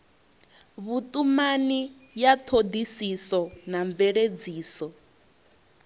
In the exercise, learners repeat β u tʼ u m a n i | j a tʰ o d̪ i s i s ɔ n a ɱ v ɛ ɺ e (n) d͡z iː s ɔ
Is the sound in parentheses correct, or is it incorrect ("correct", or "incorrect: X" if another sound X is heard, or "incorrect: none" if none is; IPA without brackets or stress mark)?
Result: incorrect: none